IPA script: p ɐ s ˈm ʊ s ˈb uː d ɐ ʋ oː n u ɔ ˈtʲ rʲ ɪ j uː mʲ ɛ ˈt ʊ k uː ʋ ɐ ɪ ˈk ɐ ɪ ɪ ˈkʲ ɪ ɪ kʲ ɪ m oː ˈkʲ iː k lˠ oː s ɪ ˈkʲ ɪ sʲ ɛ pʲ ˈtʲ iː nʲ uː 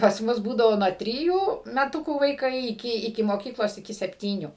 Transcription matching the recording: p ɐ s ˈm ʊ s ˈb uː d ɐ ʋ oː n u ɔ ˈtʲ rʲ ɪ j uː mʲ ɛ ˈt ʊ k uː ʋ ɐ ɪ ˈk ɐ ɪ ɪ ˈkʲ ɪ ɪ kʲ ɪ m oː ˈkʲ iː k lˠ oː s ɪ ˈkʲ ɪ sʲ ɛ pʲ ˈtʲ iː nʲ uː